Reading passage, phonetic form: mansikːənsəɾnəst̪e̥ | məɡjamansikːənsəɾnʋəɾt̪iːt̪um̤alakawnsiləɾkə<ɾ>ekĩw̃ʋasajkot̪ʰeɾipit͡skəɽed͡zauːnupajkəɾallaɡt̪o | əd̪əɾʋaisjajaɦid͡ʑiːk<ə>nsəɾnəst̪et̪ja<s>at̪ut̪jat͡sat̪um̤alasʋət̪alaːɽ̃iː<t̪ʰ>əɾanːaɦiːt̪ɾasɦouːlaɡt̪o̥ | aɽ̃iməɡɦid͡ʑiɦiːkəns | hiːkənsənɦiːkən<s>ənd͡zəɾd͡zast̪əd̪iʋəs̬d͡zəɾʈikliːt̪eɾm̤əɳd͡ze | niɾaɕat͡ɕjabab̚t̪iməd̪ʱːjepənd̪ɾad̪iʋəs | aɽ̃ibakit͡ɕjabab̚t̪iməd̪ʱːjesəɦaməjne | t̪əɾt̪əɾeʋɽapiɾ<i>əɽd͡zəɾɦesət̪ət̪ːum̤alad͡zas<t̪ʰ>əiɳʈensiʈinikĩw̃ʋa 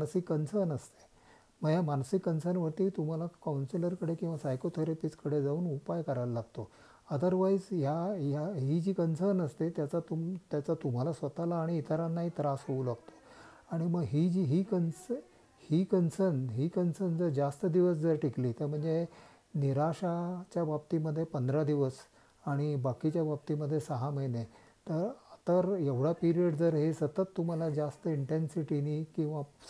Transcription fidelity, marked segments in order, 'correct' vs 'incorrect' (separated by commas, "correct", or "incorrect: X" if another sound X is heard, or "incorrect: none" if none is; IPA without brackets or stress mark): incorrect: ɽ, correct, incorrect: t͡s, incorrect: t̪, correct, correct, incorrect: t̪